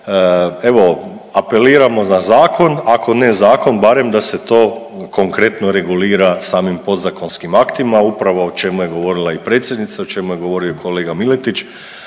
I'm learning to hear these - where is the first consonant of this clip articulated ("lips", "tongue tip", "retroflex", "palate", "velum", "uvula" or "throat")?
lips